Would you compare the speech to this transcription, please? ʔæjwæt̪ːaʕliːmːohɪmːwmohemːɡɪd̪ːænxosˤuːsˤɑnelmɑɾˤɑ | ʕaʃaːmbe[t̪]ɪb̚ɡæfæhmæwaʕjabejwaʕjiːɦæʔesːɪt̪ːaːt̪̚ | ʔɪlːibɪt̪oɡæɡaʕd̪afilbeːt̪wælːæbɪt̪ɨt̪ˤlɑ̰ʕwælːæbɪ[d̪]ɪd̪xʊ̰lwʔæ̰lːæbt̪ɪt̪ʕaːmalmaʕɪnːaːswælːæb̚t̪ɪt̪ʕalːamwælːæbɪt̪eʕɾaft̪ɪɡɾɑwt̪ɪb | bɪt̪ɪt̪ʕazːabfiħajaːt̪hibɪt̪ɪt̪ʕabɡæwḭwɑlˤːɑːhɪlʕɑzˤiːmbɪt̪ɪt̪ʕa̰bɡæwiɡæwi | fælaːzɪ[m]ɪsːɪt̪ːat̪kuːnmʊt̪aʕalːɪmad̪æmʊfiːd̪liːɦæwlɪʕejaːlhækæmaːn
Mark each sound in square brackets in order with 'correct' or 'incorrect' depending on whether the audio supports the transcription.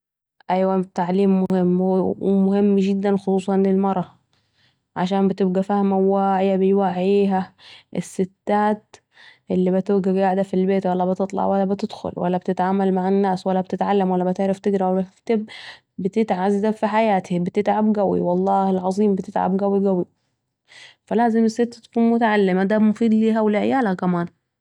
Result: correct, incorrect: t̪, correct

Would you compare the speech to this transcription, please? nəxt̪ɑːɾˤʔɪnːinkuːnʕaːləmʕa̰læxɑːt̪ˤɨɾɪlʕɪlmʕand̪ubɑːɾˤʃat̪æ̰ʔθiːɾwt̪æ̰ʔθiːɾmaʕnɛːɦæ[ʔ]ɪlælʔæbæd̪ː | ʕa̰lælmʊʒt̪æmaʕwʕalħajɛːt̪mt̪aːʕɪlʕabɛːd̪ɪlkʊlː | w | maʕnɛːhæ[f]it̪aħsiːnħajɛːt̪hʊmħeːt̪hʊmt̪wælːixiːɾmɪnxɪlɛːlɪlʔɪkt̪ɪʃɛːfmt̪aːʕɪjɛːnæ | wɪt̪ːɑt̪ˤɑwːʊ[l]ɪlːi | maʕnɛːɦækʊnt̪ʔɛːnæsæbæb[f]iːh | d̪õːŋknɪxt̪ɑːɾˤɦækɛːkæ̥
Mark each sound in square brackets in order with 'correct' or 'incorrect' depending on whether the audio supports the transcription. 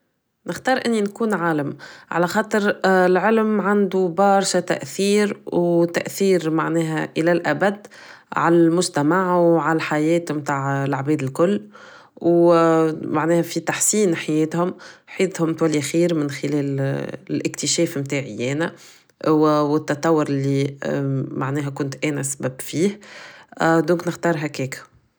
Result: correct, correct, incorrect: ɾ, correct

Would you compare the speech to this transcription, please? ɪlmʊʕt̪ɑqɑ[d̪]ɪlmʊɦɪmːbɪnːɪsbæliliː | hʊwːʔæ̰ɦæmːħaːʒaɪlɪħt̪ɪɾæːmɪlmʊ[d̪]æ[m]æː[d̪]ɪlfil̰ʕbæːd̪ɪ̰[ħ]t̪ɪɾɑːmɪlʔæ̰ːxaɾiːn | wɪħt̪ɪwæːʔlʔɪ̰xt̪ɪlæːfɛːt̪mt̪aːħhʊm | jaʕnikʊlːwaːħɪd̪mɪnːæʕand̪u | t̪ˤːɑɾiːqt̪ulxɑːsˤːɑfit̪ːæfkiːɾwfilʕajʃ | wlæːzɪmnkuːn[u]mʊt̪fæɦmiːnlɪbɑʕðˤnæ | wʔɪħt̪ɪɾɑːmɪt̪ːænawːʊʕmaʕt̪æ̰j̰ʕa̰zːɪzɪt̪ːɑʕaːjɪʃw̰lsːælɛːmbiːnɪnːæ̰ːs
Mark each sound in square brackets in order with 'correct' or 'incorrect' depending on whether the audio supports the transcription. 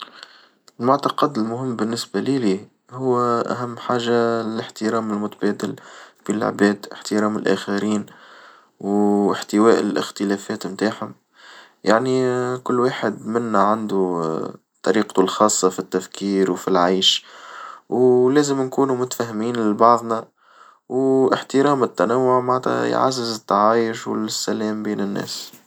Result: correct, incorrect: t̪, incorrect: b, correct, correct, correct

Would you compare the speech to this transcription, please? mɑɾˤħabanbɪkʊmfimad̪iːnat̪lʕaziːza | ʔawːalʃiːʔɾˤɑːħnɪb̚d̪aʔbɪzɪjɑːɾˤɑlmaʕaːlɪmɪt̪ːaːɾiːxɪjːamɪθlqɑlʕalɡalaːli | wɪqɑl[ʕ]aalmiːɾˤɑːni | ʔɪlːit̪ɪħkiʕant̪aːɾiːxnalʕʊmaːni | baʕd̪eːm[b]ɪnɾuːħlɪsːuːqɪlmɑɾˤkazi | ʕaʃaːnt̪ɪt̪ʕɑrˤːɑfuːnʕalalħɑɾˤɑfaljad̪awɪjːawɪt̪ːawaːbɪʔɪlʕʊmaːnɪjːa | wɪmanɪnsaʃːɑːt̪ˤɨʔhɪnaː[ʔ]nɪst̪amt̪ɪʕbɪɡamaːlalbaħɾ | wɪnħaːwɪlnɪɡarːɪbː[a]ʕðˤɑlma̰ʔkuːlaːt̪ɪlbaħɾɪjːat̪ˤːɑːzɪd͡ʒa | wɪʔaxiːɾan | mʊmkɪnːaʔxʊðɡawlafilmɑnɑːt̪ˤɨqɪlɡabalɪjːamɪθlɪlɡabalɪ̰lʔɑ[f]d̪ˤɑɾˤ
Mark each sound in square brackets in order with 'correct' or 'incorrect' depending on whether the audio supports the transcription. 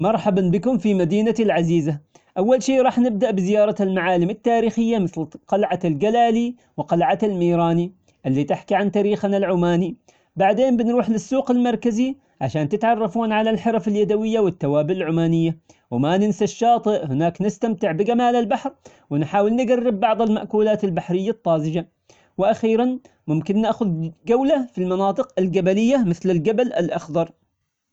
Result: correct, correct, incorrect: k, incorrect: ɑ, incorrect: x

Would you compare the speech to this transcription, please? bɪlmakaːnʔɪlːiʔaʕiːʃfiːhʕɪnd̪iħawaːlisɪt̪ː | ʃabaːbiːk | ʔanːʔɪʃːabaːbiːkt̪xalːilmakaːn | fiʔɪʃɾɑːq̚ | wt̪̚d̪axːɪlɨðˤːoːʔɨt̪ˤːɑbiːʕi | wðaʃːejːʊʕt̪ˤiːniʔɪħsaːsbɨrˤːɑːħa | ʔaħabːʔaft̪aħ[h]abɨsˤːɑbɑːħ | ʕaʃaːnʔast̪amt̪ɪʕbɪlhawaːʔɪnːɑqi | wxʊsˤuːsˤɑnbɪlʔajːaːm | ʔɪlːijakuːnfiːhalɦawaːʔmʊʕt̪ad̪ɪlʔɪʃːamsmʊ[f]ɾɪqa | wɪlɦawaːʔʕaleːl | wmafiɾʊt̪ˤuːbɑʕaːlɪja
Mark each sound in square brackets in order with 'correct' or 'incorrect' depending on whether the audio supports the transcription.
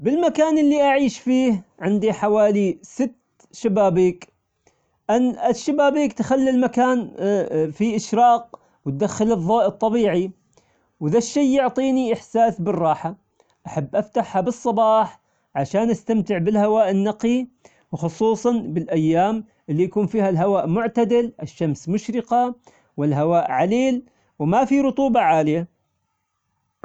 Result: correct, incorrect: ʃ

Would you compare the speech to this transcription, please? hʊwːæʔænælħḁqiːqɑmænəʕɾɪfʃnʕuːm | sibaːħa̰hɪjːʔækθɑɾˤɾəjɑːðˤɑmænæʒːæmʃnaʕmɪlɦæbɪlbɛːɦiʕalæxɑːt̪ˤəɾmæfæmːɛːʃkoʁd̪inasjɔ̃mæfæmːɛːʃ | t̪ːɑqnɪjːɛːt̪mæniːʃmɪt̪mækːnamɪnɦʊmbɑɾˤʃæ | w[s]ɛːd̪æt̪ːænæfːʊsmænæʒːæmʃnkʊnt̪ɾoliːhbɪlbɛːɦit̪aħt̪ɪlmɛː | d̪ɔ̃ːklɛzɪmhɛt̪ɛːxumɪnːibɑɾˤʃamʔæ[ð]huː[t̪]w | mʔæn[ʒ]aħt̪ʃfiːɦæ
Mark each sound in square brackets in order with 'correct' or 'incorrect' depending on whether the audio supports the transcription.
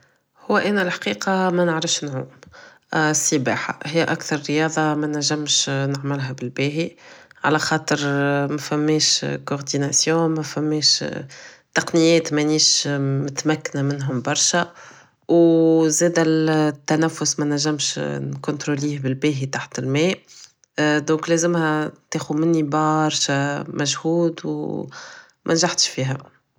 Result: incorrect: z, incorrect: ʒ, incorrect: d̪, correct

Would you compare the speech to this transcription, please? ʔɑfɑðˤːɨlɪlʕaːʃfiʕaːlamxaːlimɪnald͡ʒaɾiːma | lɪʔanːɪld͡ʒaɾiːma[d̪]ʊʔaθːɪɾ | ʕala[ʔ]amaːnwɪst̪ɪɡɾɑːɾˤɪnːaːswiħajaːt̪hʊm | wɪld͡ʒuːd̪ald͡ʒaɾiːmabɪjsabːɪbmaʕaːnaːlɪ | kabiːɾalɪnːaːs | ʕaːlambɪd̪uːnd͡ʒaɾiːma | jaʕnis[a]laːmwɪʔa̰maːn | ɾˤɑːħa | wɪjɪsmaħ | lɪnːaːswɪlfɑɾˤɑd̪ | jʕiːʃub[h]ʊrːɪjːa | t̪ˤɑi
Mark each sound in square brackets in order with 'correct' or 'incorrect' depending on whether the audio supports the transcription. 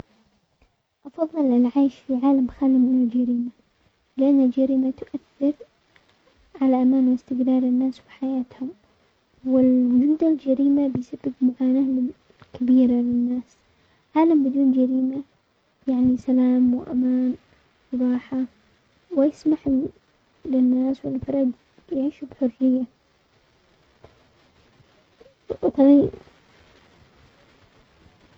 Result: incorrect: t̪, correct, correct, incorrect: ħ

